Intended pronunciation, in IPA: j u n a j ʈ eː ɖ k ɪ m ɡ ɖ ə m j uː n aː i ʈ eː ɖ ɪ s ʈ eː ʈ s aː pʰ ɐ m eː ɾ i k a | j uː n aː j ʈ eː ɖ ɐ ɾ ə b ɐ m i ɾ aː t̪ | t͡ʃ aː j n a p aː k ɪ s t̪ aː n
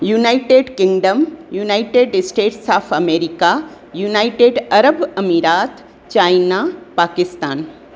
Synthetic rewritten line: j u n a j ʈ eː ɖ k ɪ ŋ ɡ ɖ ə m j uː n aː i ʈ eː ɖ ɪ s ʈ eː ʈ s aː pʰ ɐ m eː ɾ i k a | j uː n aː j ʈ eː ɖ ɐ ɾ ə b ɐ m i ɾ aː t̪ | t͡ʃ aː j n a p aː k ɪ s t̪ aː n

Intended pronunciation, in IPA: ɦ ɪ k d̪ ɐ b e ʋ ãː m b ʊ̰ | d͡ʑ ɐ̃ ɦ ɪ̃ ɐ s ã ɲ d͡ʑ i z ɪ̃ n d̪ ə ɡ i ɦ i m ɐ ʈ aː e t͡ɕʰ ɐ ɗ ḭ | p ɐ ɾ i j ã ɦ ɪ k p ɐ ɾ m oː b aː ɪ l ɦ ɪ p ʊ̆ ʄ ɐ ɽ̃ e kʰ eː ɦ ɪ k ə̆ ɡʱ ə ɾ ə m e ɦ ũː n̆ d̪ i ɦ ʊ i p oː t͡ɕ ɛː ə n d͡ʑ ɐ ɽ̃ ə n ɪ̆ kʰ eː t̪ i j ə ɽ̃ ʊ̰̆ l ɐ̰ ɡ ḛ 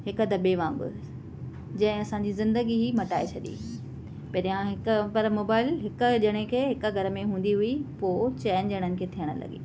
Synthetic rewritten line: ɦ ɪ k d̪ ɐ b e ʋ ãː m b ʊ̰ | d͡ʑ ɐ̃ ɦ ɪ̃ ɐ s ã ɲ d͡ʑ i z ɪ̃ n d̪ ə ɡ i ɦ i m ɐ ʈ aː e t͡ɕʰ ɐ ɗ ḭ | p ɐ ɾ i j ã ɦ ɪ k p ɐ ɾ m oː b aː ɪ l ɦ ɪ k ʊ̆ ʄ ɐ ɽ̃ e kʰ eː ɦ ɪ k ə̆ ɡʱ ɐ ɾ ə m ẽ ɦ ũː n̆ d̪ i ɦ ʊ i p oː t͡ɕ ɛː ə n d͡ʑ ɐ ɽ̃ ə n ɪ̆ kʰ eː t̪ʰ i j ə ɽ̃ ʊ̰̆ l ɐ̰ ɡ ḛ

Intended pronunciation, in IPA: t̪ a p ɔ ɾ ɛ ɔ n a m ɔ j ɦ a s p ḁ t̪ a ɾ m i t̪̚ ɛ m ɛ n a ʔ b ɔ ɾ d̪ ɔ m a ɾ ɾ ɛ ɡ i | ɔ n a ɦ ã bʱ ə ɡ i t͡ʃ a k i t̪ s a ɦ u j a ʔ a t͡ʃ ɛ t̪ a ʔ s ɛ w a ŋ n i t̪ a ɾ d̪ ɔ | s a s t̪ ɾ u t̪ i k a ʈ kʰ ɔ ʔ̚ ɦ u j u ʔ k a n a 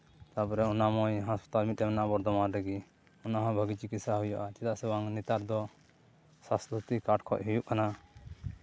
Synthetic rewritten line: t̪ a p ɔ ɾ ɛ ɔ n a m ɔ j ɦ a s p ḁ t̪ a l m i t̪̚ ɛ m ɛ n a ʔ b ɔ ɾ d̪ ɔ m a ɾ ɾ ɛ ɡ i | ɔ n a ɦ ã bʱ ə ɡ i t͡ʃ i k i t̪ s a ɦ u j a ʔ a t͡ʃ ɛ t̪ a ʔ s ɛ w a ŋ n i t̪ a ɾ d̪ ɔ | s a s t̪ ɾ u t̪ i k a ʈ kʰ ɔ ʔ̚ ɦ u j u ʔ k a n a

